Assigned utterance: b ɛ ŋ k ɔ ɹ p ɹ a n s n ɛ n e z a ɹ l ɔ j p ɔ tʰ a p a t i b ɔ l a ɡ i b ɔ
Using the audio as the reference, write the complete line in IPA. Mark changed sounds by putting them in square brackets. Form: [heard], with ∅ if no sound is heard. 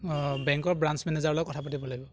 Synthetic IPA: b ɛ ŋ k ɔ ɹ [b] ɹ a n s [m] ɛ n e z a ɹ l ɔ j [k] ɔ tʰ a p a t i b ɔ l a ɡ i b ɔ